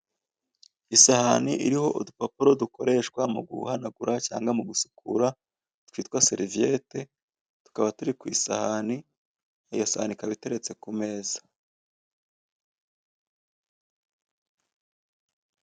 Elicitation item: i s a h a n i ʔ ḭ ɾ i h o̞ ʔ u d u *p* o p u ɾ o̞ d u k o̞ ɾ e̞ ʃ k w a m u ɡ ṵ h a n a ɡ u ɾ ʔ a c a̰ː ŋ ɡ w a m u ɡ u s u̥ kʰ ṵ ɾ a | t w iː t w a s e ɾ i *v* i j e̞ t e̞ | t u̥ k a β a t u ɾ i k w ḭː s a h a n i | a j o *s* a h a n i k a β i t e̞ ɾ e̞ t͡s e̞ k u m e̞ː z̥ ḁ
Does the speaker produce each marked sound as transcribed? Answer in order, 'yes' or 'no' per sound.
yes, yes, yes

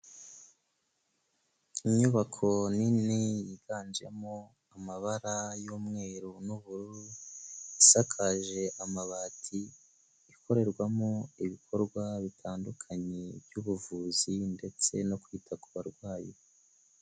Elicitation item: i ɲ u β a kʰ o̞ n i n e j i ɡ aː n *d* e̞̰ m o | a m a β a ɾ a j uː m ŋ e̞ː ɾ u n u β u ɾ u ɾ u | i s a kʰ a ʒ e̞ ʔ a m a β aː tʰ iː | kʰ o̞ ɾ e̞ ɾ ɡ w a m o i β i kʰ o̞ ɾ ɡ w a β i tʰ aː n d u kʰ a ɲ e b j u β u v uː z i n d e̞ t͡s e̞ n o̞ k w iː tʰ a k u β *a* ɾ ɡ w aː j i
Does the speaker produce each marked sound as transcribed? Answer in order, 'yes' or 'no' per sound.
no, yes

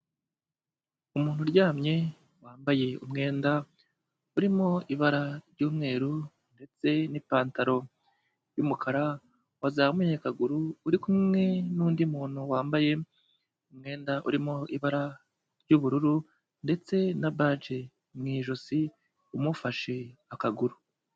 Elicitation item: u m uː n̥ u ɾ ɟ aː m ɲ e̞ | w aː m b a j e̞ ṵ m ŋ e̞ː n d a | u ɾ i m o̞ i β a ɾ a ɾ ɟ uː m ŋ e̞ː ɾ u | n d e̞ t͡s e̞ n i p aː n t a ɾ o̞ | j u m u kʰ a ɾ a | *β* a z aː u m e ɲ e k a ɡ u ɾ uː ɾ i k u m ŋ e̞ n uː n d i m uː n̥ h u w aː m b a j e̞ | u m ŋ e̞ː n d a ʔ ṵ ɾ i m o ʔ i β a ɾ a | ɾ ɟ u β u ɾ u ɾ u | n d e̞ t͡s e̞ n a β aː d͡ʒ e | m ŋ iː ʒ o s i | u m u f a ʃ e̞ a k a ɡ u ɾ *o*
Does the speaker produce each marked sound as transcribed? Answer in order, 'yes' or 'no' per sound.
no, no

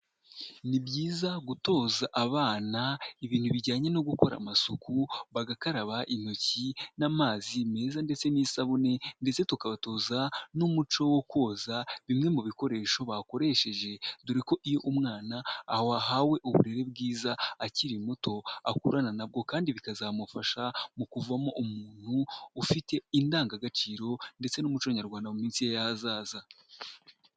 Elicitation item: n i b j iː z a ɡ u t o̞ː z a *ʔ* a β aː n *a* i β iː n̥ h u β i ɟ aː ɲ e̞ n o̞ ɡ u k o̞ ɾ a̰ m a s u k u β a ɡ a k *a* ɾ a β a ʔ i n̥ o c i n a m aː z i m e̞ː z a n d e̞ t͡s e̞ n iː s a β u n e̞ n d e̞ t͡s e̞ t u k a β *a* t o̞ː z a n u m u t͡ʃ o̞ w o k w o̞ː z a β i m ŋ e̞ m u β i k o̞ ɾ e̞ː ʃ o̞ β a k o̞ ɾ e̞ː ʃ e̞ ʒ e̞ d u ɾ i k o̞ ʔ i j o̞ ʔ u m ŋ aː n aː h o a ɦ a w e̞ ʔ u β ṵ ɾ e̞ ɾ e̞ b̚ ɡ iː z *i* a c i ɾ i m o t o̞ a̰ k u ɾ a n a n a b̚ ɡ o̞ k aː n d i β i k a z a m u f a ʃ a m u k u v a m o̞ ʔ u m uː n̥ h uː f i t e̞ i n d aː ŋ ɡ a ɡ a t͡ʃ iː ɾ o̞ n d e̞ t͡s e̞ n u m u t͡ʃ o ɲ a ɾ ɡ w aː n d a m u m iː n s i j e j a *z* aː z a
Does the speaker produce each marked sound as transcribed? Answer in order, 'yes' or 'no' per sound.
yes, yes, yes, yes, no, yes

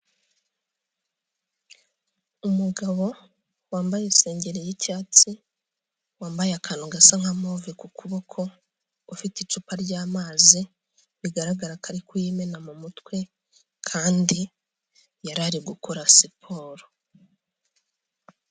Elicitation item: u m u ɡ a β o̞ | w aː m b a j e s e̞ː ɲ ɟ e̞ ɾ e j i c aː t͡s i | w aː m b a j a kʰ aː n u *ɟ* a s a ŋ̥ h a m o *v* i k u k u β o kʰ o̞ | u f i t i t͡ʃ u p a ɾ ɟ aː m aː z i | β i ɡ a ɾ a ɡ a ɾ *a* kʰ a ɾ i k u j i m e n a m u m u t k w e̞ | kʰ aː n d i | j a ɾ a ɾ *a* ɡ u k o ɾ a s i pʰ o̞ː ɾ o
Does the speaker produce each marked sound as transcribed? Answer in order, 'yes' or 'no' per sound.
no, yes, yes, no

